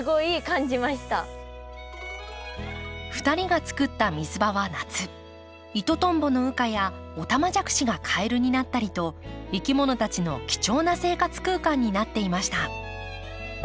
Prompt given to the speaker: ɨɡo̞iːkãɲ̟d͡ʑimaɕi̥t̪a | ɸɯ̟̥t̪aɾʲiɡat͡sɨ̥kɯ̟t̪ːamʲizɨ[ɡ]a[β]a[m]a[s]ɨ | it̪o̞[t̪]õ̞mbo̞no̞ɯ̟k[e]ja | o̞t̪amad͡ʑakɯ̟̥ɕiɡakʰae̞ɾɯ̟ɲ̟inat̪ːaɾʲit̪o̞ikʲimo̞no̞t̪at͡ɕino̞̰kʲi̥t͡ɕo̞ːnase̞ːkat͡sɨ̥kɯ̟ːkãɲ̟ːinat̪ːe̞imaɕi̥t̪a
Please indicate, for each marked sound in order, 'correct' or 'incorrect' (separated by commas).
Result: incorrect, correct, incorrect, incorrect, correct, incorrect